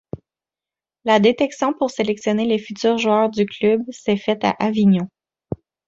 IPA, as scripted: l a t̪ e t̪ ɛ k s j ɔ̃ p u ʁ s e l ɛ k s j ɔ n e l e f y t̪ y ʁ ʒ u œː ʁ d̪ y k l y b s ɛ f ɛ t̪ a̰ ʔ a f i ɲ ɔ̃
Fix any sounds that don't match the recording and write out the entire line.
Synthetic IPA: l a d̪ e t̪ ɛ k s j ɔ̃ p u ʁ s e l ɛ k s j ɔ n e l e f y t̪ yː ʁ ʒ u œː ʁ d̪ y k l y b s ɛ f ɛ t̪ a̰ ʔ a v i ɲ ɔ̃